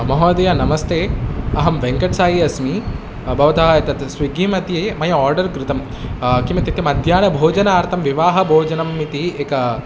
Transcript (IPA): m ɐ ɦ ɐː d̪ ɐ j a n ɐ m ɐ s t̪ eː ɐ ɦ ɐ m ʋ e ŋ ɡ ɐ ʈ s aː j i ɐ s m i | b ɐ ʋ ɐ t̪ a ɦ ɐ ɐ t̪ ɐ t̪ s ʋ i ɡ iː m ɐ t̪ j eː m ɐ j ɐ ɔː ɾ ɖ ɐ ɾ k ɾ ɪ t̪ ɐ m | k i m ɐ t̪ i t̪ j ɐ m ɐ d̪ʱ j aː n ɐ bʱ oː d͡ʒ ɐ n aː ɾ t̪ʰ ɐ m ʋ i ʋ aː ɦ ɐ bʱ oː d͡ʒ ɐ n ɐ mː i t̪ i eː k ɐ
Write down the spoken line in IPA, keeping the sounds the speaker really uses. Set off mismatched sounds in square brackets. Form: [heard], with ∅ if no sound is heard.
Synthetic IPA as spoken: m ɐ ɦ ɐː d̪ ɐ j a n ɐ m ɐ s t̪ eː ɐ ɦ ɐ m ʋ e ŋ [k] ɐ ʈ s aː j i ɐ s m i | b ɐ ʋ ɐ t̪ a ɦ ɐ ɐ t̪ ɐ t̪ s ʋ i ɡ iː m ɐ t̪ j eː m ɐ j ɐ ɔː ɾ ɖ ɐ ɾ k ɾ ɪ t̪ ɐ m | k i m ɐ t̪ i t̪ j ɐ m ɐ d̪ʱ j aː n ɐ bʱ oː d͡ʒ ɐ n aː ɾ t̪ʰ ɐ m ʋ i ʋ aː ɦ ɐ bʱ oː d͡ʒ ɐ n ɐ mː i t̪ i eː k ɐ